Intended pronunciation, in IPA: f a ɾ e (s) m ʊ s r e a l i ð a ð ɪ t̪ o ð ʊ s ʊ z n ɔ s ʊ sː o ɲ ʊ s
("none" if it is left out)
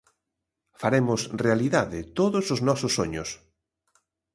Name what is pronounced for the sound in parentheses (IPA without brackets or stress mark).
none